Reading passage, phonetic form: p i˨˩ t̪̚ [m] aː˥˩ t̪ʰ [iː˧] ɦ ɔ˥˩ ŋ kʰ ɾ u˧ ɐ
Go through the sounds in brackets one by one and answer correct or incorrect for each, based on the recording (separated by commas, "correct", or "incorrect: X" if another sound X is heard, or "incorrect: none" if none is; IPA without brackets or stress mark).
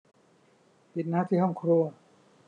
incorrect: n, incorrect: iː˥˩